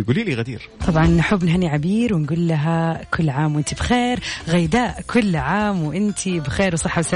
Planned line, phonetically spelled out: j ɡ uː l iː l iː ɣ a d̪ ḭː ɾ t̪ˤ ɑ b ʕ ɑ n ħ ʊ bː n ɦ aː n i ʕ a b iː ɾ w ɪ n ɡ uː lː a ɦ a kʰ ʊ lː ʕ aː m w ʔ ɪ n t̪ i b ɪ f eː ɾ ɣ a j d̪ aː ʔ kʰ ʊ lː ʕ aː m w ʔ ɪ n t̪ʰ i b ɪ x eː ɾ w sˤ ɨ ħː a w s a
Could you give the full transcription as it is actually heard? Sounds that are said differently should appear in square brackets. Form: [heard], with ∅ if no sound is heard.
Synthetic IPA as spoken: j ɡ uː l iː l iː ɣ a d̪ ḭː ɾ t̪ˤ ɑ b ʕ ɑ n ħ ʊ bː n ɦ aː n i ʕ a b iː ɾ w ɪ n ɡ uː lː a ɦ a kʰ ʊ lː ʕ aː m w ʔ ɪ n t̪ i b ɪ [x] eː ɾ ɣ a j d̪ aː ʔ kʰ ʊ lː ʕ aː m w ʔ ɪ n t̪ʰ i b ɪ x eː ɾ w sˤ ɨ ħː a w s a